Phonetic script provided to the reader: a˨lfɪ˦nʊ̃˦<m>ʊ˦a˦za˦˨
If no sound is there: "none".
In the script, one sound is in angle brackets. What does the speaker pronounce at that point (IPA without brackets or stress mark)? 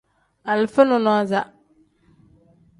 n